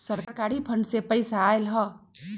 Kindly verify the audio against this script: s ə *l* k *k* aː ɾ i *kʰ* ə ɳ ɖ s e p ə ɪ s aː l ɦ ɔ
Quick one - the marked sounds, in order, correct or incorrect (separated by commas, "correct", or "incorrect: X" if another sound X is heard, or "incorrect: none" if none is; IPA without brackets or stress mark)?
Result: incorrect: ɾ, correct, incorrect: pʰ